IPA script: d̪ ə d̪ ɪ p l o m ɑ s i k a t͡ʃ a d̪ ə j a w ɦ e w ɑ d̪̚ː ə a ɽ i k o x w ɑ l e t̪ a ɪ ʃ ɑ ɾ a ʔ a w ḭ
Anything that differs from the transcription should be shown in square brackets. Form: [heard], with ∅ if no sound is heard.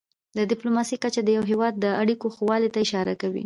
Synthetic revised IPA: d̪ ə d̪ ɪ p l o m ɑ s i k a t͡ʃ a d̪ ə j a w ɦ e w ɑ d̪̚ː ə a ɽ i k o x w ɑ l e t̪ a ɪ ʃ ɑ ɾ a [k] a w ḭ